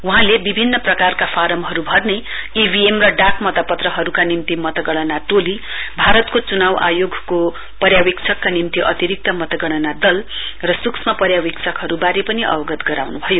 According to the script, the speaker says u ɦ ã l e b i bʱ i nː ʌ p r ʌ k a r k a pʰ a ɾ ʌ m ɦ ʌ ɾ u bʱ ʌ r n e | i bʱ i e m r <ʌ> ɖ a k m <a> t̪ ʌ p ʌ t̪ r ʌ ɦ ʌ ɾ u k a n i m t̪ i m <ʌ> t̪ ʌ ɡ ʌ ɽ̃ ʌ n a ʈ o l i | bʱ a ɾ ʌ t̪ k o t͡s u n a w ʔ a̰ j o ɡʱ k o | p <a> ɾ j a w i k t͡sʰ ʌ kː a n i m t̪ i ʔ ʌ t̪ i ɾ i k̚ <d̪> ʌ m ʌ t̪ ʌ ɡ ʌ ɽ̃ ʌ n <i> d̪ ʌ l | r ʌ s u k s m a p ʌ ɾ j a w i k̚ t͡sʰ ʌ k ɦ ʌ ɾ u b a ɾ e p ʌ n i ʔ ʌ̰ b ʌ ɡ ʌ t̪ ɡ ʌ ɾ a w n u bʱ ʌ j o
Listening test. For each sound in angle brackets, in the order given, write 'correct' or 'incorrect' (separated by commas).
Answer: correct, incorrect, correct, incorrect, incorrect, incorrect